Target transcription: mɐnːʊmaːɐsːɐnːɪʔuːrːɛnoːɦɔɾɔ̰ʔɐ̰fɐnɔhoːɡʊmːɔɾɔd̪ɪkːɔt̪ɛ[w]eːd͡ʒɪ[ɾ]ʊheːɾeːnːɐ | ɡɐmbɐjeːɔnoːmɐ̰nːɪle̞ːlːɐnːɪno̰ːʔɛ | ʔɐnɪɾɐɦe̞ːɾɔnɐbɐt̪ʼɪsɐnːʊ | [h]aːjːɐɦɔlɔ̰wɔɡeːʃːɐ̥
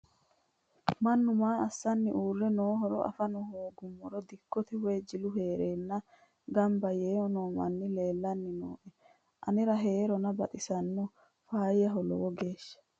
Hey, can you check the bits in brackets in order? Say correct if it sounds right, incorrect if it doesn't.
correct, incorrect: l, incorrect: f

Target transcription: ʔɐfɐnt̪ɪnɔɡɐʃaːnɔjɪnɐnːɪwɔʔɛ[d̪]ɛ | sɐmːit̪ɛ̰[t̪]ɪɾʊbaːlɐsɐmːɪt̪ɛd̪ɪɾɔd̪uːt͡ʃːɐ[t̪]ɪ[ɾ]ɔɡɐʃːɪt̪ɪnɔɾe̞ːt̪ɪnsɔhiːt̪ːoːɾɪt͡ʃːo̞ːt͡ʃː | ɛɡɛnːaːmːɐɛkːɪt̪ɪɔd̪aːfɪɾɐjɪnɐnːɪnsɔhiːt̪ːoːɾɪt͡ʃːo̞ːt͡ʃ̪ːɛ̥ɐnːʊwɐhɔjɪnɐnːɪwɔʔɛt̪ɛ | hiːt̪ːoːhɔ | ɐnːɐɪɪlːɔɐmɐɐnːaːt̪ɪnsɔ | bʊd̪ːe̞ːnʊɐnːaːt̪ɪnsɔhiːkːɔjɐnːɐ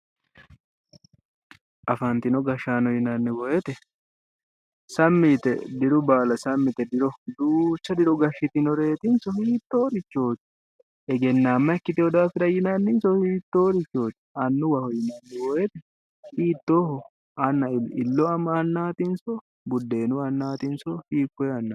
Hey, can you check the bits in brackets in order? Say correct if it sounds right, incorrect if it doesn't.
incorrect: t̪, incorrect: d̪, incorrect: d̪, correct

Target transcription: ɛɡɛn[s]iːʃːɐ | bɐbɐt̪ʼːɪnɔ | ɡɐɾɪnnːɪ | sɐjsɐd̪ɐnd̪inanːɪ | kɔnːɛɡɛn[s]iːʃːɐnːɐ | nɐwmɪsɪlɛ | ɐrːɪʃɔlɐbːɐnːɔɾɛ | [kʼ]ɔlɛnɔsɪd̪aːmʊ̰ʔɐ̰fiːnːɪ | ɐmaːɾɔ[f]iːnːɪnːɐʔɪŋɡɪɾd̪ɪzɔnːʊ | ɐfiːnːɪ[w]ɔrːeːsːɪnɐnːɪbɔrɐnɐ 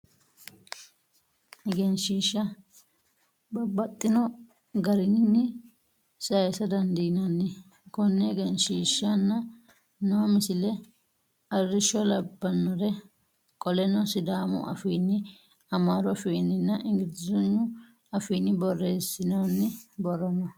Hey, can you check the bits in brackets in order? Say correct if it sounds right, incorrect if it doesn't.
incorrect: ʃ, incorrect: ʃ, correct, correct, incorrect: b

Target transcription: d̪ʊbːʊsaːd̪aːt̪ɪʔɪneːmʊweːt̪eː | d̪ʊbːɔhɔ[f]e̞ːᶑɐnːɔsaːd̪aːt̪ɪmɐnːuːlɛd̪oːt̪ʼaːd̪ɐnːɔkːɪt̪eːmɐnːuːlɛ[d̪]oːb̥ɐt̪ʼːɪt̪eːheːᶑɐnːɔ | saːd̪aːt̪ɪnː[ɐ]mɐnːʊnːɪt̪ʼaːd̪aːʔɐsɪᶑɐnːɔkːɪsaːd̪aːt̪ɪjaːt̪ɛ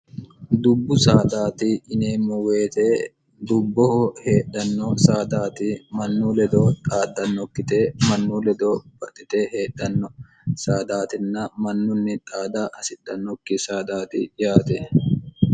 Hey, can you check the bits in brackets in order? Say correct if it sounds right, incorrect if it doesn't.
incorrect: h, correct, correct

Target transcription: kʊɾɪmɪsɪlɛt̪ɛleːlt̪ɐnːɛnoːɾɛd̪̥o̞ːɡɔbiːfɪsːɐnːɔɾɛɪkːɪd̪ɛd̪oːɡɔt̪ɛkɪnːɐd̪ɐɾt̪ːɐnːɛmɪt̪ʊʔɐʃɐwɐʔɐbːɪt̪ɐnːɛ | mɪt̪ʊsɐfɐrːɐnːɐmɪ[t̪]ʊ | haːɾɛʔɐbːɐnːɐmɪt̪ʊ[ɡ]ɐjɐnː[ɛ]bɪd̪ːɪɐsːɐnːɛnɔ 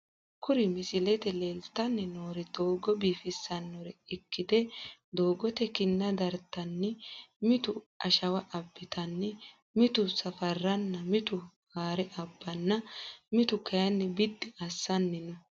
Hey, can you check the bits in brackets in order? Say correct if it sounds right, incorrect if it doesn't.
correct, incorrect: k, correct

